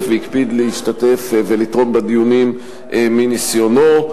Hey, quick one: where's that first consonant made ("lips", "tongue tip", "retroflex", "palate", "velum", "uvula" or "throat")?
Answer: lips